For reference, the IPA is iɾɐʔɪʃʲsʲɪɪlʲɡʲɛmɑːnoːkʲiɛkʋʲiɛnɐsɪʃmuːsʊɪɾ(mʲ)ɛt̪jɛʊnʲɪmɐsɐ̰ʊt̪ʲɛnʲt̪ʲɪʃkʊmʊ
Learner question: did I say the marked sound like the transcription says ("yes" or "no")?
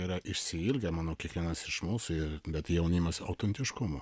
no